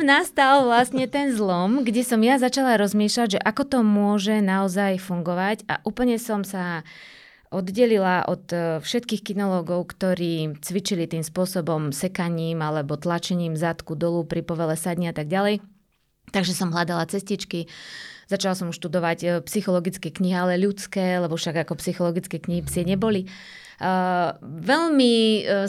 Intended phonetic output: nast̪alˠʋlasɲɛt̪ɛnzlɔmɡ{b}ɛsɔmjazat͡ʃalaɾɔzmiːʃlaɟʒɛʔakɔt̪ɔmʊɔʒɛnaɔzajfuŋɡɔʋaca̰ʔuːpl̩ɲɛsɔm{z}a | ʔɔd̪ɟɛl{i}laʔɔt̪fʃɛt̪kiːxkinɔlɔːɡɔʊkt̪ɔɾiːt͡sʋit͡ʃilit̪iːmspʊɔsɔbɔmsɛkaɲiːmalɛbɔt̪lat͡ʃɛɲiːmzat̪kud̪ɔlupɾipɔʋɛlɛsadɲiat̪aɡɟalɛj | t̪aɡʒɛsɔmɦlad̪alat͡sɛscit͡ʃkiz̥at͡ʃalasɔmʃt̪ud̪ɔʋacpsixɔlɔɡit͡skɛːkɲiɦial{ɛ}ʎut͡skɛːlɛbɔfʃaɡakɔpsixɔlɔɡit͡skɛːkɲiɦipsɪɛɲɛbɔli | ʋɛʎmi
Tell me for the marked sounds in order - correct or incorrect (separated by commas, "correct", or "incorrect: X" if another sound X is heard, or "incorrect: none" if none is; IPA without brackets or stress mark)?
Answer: incorrect: ɟ, incorrect: s, correct, correct